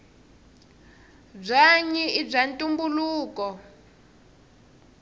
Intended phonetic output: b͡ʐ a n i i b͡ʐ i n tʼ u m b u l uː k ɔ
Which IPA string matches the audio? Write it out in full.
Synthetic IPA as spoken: b͡ʐ a ɲ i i b͡ʐ a n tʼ u m b u l uː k ɔ

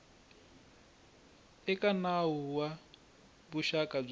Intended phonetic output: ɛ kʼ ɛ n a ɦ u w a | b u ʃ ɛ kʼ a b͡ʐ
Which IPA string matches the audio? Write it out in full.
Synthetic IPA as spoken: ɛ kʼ a n a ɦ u w a | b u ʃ a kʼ a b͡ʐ

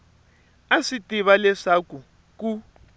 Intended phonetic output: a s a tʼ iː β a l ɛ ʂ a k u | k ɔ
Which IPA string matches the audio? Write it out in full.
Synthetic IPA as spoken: a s i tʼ i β a l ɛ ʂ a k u | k u

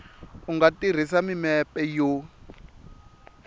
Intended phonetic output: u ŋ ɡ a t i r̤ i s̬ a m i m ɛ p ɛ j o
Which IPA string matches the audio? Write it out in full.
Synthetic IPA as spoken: u ŋ ɡ a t i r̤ i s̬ a m i m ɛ p ɛ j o

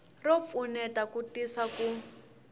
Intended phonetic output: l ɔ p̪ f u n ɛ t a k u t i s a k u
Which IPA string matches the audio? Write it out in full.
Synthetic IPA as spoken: r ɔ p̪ f u n ɛ t a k u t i s a k u

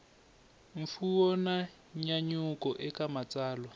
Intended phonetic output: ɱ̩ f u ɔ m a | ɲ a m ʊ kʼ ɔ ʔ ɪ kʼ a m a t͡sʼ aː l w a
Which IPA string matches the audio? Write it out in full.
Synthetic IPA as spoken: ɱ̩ f u ɔ n a | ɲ a ɲ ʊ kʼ ɔ ʔ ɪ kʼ a m a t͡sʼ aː l w a

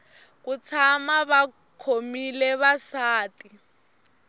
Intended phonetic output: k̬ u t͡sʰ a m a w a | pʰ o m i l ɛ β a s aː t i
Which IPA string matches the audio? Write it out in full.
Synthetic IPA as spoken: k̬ u t͡sʰ a m a β a | kʰ o m i l ɛ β a s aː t i

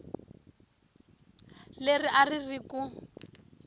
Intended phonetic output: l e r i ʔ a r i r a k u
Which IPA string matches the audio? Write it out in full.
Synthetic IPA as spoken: l e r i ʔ a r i r i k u

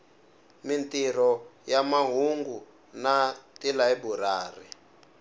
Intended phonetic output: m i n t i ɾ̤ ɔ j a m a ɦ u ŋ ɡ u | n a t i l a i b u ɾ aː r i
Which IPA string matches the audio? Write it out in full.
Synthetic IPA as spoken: m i n t i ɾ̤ ɔ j a m a ɦ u ŋ ɡ u | n a t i l a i b u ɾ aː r i

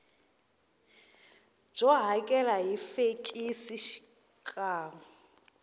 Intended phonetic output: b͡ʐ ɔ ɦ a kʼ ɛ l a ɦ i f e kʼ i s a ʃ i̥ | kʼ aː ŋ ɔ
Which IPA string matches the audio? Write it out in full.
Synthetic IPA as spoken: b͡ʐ ɔ ɦ a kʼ ɛ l a ɦ i f e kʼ i s i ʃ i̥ | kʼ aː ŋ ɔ

